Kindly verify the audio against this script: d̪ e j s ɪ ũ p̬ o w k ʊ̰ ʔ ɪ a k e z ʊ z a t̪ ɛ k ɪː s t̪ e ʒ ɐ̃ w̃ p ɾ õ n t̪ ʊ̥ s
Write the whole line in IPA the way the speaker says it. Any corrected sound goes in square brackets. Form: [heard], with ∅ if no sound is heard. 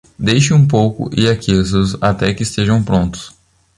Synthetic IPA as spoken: d̪ e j [ʃ] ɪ ũ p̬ o w k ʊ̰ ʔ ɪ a k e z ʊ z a t̪ ɛ k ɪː s t̪ e ʒ ɐ̃ w̃ p ɾ õ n t̪ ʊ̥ s